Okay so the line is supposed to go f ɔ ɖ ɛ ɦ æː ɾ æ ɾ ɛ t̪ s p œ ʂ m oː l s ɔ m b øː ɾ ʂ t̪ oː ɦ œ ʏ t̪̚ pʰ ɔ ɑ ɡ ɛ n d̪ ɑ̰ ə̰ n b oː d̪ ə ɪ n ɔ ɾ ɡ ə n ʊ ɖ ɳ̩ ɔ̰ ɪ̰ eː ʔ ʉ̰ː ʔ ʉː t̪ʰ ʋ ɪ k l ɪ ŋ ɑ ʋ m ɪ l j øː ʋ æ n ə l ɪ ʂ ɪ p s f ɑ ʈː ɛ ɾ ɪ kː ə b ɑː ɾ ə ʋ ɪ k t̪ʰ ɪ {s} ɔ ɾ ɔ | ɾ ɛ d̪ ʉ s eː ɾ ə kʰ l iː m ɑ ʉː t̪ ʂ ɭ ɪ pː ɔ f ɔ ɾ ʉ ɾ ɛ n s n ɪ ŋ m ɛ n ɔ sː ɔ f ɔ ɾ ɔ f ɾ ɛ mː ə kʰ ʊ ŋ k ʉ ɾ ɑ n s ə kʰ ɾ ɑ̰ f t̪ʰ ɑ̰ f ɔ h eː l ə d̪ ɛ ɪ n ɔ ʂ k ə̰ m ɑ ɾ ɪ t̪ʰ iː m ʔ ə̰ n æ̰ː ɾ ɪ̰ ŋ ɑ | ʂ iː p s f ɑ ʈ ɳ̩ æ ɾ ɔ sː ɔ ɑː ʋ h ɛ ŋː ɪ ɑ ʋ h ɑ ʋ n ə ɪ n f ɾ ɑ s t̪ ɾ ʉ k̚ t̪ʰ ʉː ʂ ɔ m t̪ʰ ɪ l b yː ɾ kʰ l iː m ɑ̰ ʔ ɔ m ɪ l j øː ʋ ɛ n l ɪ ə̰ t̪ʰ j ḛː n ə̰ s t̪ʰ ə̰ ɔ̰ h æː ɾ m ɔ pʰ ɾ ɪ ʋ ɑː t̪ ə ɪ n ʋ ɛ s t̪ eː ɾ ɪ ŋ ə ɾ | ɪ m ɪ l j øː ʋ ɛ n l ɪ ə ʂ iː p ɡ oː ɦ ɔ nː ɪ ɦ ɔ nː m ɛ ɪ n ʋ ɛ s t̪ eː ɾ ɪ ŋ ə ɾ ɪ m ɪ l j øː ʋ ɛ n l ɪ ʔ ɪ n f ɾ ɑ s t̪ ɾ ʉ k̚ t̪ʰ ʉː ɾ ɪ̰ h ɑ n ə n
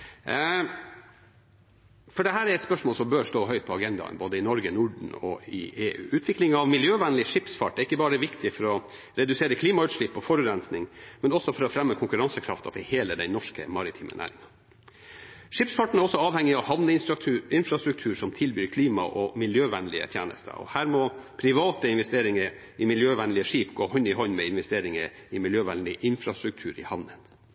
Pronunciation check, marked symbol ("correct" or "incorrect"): incorrect